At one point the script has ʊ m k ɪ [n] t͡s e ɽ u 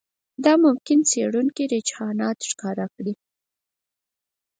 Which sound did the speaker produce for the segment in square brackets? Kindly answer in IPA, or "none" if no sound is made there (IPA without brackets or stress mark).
n